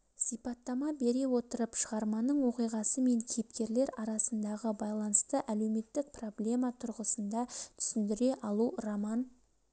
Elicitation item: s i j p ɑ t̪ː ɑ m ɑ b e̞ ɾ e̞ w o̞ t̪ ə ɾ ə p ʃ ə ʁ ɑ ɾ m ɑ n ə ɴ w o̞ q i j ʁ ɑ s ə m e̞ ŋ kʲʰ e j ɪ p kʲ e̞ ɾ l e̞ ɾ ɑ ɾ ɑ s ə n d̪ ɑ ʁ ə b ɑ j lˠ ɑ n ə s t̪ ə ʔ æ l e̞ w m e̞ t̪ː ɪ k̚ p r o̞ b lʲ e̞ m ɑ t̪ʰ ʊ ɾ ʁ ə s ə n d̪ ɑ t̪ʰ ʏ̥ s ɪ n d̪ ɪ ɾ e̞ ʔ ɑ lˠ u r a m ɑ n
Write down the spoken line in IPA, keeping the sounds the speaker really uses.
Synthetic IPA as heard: s i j p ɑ t̪ː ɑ m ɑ b e̞ ɾ e̞ w o̞ t̪ ə ɾ ə p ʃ ə ʁ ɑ ɾ m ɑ n ə ɴ w o̞ q i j ʁ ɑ s ə m e̞ ŋ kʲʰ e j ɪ p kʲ e̞ ɾ l e̞ ɾ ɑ ɾ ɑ s ə n d̪ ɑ ʁ ə b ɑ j lˠ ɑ n ə s t̪ ə ʔ æ l e̞ w m e̞ t̪ː ɪ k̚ p r o̞ b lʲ e̞ m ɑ t̪ʰ ʊ ɾ ʁ ə s ə n d̪ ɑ t̪ʰ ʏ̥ s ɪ n d̪ ɪ ɾ e̞ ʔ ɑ lˠ u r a m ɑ n